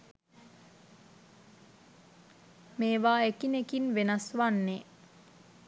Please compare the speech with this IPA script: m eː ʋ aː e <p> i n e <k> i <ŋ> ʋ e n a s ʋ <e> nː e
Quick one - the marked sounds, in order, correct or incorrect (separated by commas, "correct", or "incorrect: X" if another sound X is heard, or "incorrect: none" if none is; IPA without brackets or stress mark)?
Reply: incorrect: k, correct, incorrect: n, incorrect: a